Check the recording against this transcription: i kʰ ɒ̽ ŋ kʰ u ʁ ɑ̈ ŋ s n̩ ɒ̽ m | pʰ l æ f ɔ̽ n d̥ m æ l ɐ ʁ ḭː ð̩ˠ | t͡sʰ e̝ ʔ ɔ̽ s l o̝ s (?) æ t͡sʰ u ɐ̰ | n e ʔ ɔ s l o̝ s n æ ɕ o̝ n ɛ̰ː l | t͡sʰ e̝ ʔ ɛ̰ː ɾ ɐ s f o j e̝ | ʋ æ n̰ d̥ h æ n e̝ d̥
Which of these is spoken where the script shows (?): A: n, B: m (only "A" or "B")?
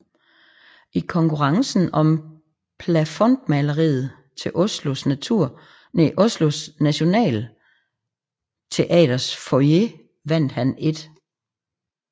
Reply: A